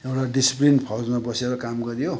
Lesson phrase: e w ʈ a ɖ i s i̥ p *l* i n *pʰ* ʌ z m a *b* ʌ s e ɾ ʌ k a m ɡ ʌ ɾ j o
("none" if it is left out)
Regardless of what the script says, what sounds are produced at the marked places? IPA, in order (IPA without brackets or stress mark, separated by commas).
l, pʰ, b